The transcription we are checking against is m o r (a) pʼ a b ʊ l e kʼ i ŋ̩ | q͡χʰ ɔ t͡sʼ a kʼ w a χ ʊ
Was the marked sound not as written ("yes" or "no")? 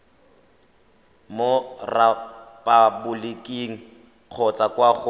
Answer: no